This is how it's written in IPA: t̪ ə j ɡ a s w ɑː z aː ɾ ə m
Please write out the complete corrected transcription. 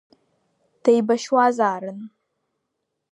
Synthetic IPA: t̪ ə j b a ʃ w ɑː z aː ɾ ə n